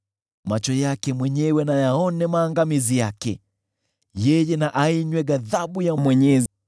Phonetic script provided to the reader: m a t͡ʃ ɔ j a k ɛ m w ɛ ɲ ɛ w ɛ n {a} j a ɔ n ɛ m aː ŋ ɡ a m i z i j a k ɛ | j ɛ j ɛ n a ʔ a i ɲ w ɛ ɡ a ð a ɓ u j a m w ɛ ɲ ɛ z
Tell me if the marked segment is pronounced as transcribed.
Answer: yes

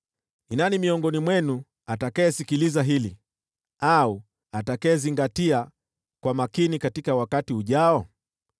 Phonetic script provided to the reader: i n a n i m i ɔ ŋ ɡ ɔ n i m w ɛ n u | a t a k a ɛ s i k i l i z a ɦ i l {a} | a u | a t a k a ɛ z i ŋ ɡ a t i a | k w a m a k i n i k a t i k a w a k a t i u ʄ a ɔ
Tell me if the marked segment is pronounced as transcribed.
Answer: no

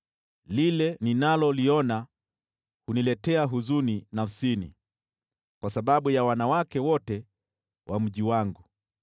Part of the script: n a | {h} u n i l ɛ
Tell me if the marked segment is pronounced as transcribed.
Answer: yes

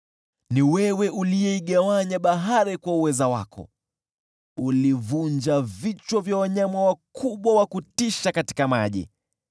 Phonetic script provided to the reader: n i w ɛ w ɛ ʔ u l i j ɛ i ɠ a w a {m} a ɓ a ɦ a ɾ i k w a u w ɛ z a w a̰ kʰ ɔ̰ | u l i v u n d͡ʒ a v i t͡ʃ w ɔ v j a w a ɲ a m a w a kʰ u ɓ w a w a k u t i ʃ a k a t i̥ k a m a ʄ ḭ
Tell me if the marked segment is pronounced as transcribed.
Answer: no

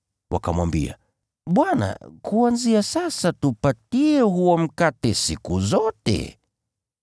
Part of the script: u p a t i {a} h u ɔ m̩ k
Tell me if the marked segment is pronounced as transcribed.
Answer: no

